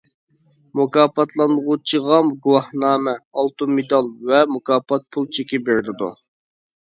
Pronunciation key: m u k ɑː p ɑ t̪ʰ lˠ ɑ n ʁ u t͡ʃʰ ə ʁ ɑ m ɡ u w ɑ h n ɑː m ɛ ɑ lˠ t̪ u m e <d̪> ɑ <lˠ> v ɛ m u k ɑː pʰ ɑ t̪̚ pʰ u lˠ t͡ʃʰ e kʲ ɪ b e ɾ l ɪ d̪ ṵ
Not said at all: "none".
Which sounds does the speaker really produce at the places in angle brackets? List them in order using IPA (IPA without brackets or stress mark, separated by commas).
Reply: d̪, lˠ